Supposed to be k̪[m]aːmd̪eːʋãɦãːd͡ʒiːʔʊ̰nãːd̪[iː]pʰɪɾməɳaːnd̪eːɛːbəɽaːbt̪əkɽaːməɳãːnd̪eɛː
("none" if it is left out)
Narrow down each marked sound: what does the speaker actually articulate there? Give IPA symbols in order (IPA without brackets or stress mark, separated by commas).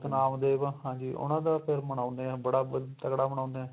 n, aː